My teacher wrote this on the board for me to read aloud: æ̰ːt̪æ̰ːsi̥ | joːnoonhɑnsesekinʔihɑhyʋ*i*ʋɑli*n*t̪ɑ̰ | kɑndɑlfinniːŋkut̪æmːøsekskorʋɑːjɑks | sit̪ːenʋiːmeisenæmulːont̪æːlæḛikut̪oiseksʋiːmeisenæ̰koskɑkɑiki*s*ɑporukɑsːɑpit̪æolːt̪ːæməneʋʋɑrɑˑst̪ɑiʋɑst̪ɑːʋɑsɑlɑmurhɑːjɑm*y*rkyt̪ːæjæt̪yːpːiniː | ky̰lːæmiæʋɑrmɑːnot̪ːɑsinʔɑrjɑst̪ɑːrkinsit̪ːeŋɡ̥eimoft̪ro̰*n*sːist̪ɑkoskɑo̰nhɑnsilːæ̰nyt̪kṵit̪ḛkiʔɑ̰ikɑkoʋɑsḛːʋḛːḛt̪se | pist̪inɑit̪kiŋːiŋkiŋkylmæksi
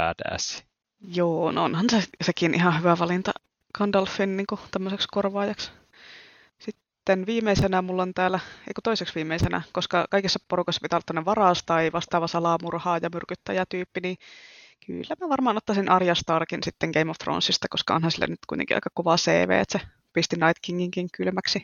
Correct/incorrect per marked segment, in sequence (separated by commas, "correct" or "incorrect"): incorrect, correct, incorrect, correct, correct